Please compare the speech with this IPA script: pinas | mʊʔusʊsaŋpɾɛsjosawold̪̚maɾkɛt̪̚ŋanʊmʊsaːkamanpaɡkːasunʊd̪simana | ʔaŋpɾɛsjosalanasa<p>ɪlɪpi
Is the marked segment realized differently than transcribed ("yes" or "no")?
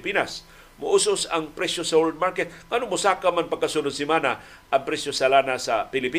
no